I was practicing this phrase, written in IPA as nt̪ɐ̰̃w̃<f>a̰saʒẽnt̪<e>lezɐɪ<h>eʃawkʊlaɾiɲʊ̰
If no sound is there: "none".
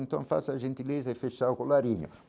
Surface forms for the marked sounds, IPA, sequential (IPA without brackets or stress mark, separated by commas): f, i, f